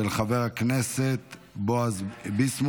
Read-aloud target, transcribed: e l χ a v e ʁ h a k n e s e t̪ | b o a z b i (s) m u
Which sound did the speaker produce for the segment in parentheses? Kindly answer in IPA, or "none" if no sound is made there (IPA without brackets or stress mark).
s